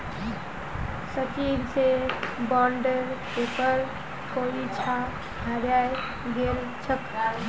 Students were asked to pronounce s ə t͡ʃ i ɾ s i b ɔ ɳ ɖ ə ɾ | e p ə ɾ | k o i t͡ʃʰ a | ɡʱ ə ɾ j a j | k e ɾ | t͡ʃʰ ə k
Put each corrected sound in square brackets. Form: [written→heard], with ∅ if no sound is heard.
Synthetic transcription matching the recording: s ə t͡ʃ i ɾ s [i→e] b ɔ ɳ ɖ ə ɾ | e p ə ɾ | k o i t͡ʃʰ a | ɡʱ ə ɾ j a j | [k→ɡ] e ɾ | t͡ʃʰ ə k